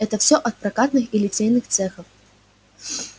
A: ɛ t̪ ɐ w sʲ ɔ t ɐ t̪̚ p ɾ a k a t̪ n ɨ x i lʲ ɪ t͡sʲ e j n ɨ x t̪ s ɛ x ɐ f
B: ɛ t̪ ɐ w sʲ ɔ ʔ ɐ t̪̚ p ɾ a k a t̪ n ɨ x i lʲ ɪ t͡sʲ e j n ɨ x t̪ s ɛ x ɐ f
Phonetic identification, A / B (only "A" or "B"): B